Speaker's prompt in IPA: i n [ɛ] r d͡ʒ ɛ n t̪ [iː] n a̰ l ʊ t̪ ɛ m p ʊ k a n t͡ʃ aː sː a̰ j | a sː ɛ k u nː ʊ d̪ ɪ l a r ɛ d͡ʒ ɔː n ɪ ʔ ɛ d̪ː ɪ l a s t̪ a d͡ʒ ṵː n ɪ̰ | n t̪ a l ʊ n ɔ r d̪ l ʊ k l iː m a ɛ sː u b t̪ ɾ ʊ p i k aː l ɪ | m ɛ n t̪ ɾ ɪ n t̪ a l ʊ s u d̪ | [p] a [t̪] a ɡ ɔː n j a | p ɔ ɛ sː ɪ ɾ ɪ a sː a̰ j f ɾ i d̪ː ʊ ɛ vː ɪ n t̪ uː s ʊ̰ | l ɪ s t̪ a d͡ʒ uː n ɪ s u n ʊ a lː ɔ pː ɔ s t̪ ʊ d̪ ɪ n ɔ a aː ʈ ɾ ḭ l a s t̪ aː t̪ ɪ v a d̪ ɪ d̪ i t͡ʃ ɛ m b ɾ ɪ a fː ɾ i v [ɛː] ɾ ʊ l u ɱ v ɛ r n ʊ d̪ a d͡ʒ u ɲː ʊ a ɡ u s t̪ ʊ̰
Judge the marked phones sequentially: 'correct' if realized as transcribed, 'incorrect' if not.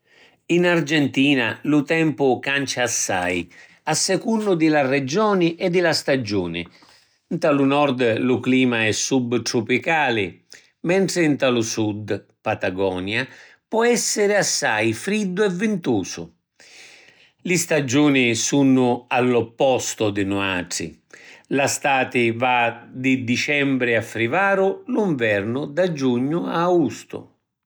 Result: incorrect, correct, correct, correct, incorrect

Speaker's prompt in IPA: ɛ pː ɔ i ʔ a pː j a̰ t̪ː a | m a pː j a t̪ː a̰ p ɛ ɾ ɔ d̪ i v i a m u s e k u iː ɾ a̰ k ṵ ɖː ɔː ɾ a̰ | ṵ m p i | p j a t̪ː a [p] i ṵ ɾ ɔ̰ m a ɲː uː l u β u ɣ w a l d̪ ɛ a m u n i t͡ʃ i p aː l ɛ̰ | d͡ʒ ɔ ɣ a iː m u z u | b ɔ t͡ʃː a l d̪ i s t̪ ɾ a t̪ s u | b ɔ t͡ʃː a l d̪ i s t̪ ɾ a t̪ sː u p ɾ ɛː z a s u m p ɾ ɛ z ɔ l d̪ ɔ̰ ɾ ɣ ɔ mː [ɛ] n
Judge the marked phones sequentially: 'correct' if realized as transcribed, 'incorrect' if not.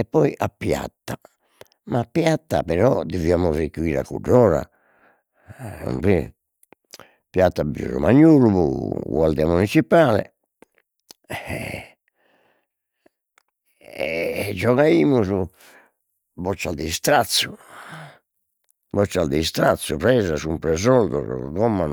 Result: incorrect, incorrect

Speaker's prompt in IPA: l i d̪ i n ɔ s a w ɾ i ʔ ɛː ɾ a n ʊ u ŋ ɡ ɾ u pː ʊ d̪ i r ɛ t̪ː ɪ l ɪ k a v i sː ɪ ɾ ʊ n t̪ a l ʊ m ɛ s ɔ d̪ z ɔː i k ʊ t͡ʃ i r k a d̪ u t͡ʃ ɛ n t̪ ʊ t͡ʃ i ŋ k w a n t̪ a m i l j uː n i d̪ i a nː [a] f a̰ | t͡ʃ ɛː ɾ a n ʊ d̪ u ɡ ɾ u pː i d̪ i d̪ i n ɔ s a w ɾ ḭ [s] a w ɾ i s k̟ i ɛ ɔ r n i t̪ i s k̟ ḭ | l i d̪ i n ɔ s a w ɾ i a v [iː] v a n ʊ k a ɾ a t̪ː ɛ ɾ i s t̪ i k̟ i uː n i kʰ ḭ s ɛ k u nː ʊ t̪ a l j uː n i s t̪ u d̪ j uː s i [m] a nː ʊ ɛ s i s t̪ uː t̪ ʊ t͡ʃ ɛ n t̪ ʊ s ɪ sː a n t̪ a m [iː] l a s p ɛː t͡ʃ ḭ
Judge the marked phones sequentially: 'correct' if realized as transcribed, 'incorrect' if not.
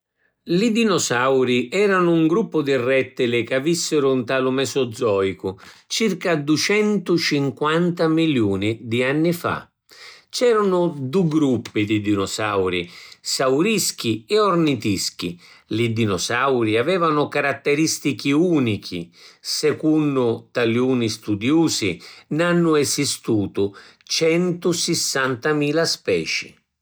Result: incorrect, correct, incorrect, incorrect, correct

